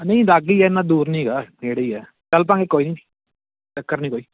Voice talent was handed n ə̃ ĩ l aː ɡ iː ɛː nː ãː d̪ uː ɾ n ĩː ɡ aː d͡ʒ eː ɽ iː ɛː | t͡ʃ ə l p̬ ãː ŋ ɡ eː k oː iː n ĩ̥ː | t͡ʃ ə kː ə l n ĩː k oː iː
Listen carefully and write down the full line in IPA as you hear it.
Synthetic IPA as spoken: n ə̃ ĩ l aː ɡ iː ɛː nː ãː d̪ uː ɾ n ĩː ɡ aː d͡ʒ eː ɽ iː ɛː | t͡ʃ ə l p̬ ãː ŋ ɡ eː k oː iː n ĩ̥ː | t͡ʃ ə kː ə ɾ n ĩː k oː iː